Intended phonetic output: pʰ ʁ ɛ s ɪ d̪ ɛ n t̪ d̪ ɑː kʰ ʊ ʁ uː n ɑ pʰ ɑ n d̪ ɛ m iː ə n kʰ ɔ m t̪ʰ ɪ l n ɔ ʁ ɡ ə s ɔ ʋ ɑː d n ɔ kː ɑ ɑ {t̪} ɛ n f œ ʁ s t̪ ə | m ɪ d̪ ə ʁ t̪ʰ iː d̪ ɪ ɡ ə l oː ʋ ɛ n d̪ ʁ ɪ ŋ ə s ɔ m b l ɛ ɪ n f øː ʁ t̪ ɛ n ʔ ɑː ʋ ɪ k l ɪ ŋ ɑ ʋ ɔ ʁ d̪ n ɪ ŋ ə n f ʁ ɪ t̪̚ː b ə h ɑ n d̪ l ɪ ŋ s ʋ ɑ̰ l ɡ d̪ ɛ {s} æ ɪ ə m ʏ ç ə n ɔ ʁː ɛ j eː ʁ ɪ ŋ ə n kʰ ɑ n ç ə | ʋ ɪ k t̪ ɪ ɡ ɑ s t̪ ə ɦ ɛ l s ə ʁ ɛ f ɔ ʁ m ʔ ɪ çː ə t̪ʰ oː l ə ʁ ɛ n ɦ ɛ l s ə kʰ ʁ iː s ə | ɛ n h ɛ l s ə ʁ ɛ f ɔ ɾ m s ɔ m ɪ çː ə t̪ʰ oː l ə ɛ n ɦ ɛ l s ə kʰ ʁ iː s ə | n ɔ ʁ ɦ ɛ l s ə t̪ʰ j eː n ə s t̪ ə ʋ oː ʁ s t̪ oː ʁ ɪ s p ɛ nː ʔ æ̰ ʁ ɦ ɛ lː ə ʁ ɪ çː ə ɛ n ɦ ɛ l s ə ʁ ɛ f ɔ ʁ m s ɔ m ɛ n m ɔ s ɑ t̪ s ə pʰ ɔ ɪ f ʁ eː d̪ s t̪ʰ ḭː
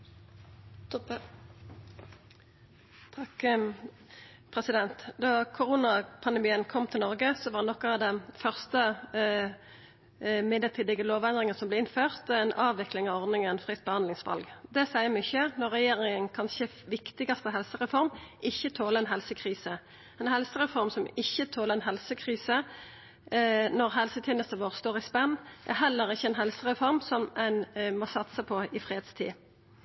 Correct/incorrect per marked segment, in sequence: incorrect: d̪, correct

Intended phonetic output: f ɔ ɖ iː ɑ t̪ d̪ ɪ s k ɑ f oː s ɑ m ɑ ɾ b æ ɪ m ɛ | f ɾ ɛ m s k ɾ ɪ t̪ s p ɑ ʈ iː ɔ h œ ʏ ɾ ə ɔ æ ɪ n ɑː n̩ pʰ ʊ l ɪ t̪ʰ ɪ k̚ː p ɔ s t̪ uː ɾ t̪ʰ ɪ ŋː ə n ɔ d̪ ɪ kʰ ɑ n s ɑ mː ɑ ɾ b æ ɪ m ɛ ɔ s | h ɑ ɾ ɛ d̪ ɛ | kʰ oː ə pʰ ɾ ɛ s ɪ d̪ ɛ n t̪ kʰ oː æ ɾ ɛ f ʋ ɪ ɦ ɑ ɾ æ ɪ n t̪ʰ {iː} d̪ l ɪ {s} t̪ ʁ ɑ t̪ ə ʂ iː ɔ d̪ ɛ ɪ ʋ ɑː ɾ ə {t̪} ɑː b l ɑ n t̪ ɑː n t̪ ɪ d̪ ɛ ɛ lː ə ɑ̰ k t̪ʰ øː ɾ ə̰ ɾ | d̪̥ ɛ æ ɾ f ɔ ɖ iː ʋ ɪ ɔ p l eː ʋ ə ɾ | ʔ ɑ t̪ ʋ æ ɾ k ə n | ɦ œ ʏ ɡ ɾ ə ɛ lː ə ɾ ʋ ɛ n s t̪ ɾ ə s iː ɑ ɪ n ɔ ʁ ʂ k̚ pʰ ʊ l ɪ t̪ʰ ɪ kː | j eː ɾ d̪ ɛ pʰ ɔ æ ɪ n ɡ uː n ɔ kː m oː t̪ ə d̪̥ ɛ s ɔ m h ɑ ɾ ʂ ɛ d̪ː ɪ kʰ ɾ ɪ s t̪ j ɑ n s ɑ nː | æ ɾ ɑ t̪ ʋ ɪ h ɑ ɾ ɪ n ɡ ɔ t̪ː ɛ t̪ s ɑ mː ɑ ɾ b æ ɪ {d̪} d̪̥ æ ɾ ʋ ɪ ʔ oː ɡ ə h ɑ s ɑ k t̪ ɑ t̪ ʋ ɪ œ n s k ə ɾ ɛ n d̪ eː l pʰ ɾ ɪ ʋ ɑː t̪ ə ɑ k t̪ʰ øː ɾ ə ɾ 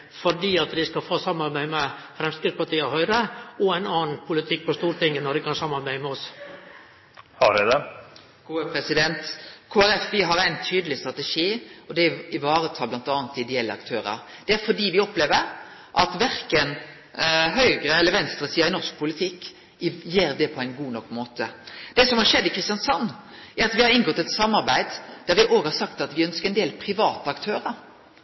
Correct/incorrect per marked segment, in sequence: incorrect: yː, correct, incorrect: t̪ʰ, correct

